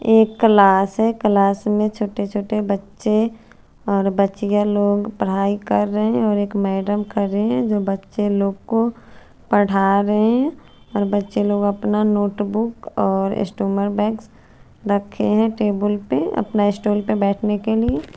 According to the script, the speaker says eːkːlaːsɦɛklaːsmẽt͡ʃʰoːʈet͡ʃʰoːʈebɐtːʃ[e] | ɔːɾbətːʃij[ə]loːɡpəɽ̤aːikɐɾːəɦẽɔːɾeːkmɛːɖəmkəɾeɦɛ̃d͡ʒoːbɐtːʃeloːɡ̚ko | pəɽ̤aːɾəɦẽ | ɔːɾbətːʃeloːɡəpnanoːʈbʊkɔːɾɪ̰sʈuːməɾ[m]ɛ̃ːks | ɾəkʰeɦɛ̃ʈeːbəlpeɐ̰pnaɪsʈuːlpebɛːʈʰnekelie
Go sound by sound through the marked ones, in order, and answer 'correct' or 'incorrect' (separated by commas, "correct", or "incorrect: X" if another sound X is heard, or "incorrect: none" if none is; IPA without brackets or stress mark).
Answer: correct, incorrect: a, incorrect: b